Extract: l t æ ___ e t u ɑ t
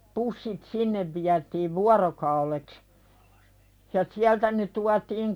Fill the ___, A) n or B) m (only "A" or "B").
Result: A